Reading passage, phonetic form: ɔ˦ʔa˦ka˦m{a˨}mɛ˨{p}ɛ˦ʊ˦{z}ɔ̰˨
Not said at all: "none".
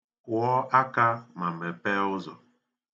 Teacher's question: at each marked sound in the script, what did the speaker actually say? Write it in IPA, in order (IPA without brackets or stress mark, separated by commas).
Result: a˨, p, z